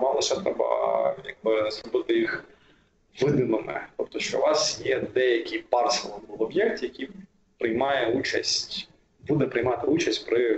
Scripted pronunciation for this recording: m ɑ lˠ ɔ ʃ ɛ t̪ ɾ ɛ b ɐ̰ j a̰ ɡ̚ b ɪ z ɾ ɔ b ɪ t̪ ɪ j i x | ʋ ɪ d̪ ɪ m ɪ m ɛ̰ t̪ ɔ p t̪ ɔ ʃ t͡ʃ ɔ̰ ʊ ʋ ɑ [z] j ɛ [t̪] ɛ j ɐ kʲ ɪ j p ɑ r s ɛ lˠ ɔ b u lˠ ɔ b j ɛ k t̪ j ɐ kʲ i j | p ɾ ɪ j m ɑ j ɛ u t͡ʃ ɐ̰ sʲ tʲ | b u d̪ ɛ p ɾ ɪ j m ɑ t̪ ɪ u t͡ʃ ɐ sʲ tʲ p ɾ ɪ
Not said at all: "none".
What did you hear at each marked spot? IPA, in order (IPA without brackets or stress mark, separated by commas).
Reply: s, d̪